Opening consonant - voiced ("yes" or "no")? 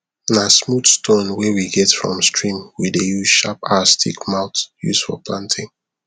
yes